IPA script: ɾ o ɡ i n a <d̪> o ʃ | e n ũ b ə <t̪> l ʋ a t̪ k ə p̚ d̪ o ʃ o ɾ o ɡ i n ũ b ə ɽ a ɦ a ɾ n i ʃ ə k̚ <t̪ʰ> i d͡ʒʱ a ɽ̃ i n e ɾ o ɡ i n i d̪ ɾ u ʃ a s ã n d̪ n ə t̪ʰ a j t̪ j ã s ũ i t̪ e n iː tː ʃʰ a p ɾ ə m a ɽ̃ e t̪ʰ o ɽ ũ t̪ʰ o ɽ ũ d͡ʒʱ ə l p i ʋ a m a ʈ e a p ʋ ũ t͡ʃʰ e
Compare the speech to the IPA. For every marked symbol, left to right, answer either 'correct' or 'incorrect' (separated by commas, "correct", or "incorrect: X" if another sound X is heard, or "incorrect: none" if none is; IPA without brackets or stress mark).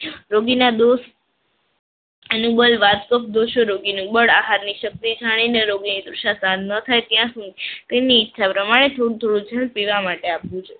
correct, incorrect: none, incorrect: t̪